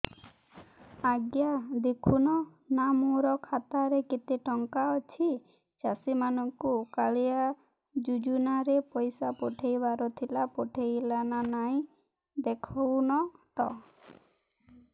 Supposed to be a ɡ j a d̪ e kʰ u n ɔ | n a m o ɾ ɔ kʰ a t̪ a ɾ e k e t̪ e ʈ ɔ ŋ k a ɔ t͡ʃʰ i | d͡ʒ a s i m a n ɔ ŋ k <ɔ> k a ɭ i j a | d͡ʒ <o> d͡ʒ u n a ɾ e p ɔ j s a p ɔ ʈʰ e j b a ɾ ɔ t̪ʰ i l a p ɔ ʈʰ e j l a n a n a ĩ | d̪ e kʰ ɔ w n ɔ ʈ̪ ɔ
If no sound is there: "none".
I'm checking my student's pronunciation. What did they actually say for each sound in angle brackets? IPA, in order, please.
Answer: u, u

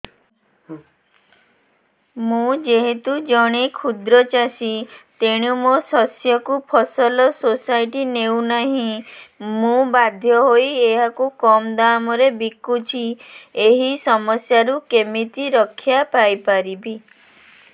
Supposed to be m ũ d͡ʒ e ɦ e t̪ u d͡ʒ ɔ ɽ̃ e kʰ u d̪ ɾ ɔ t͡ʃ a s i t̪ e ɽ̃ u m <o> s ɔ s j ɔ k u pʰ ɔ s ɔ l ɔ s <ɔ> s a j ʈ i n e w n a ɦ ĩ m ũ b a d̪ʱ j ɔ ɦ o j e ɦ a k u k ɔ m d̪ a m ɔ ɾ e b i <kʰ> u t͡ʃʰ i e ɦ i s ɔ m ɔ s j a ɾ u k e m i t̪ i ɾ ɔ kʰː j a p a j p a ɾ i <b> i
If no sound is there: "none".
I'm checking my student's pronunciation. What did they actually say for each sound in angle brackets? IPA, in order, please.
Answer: o, o, k, b

